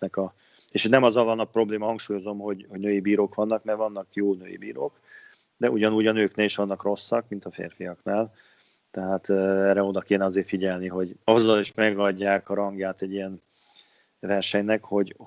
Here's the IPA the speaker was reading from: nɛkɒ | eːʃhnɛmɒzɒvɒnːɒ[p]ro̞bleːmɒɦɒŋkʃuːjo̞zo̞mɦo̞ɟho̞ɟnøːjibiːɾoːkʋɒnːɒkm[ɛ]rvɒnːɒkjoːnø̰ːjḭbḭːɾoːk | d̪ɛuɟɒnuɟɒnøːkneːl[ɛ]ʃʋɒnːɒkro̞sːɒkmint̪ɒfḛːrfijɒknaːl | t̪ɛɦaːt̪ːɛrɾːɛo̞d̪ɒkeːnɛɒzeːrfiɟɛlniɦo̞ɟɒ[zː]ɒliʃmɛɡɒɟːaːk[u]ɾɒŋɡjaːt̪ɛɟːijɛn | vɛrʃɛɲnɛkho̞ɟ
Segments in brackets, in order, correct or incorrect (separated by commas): correct, correct, incorrect, correct, incorrect